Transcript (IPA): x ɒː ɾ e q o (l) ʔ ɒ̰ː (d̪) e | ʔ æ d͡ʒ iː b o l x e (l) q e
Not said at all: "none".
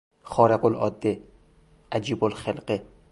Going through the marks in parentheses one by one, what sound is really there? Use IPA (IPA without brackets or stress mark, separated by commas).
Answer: l, d̪ː, l